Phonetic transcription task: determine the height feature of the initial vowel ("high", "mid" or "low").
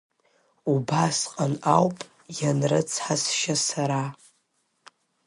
high